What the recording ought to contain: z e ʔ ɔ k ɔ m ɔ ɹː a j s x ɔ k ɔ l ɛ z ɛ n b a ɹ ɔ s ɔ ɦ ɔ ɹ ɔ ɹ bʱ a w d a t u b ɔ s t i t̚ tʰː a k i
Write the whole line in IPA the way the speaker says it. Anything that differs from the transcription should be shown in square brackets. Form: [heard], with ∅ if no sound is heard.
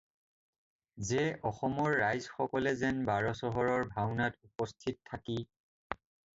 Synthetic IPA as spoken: z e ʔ ɔ [x] ɔ m ɔ ɹː a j [z] x ɔ k ɔ l ɛ z ɛ n b a ɹ ɔ s ɔ ɦ ɔ ɹ ɔ ɹ bʱ a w [n] a t u [p] ɔ s [tʰ] i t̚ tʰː a k i